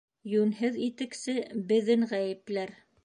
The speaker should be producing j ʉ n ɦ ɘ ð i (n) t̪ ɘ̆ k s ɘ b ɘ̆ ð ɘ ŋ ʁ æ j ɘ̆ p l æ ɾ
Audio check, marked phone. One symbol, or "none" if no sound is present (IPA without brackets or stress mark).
none